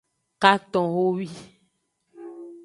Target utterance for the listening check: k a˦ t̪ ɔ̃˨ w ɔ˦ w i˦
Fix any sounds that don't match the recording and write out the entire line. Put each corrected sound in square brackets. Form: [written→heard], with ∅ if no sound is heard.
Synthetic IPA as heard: k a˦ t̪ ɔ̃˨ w [ɔ˦→o˦] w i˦